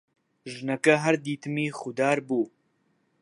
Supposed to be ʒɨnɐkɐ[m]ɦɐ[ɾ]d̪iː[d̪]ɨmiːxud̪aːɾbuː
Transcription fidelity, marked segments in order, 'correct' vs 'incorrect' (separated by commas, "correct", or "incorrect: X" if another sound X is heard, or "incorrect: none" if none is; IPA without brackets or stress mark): incorrect: none, correct, incorrect: t̪